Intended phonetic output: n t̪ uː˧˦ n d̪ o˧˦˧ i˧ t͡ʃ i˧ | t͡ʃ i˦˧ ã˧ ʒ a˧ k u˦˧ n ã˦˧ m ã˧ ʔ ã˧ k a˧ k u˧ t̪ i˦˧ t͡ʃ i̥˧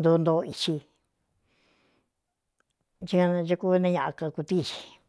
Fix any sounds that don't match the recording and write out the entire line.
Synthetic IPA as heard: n d̪ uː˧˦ n d̪ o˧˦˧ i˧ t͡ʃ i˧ | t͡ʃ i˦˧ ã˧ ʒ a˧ k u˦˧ n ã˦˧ ɲ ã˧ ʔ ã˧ k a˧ k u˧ t̪ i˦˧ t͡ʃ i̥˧